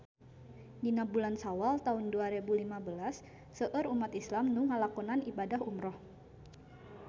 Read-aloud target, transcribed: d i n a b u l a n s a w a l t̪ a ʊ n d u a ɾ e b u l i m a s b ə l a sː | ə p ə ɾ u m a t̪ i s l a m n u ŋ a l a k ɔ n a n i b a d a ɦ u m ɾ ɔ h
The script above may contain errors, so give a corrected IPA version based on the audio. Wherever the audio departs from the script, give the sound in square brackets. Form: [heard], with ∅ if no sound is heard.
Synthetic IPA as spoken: d i n a b u l a n s a w a l t̪ a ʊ n d u a ɾ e b u l i m a [∅] b ə l a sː | ə [ʔ] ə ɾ u m a t̪ i s l a m n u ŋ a l a k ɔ n a n i b a d a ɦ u m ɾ ɔ h